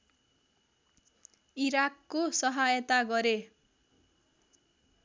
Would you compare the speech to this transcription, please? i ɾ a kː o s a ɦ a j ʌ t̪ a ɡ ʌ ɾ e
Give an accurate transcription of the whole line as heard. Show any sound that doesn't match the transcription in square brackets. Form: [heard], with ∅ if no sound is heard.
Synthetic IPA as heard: i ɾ a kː o s [ʌ] ɦ a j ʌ t̪ a ɡ ʌ ɾ e

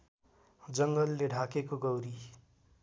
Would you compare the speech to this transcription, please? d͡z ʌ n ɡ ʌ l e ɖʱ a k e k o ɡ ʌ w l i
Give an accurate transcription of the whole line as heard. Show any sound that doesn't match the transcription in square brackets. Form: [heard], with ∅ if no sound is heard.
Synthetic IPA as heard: d͡z ʌ [ŋ] ɡ ʌ [lː] e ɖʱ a k e k o ɡ ʌ w [ɾ] i

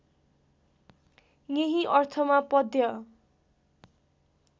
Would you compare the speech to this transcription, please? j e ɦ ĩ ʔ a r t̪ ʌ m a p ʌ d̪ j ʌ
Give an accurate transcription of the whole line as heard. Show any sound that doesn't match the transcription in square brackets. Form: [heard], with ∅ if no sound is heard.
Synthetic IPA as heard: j e ɦ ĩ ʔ [ʌ] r [t̪ʰ] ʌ m a p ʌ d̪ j ʌ

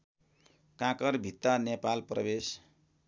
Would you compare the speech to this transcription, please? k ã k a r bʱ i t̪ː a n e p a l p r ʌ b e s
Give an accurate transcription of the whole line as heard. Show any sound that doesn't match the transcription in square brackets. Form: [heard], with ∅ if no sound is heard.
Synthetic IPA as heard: k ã k [ʌ] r bʱ i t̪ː a n e p a l p r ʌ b e s

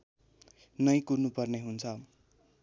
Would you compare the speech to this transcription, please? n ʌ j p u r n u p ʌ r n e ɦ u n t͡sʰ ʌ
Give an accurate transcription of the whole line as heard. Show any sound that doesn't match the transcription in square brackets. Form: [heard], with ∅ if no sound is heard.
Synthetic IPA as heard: n ʌ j [k] u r n u p ʌ r n e ɦ u n t͡sʰ ʌ

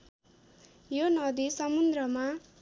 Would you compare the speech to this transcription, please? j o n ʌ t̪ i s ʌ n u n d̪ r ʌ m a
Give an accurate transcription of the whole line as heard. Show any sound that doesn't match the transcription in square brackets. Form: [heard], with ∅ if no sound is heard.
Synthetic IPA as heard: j o n ʌ [d̪] i s ʌ [m] u n d̪ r ʌ m a

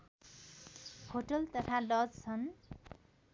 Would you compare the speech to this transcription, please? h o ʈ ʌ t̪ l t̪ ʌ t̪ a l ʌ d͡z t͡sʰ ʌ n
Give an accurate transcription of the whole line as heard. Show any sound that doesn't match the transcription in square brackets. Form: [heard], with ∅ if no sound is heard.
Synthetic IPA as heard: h o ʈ ʌ [∅] l t̪ ʌ [t̪ʰ] a l ʌ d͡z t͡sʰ ʌ n

